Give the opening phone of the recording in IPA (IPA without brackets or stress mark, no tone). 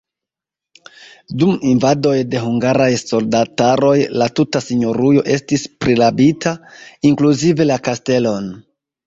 d